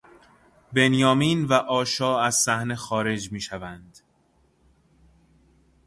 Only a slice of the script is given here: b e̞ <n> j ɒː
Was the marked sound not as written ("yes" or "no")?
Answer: no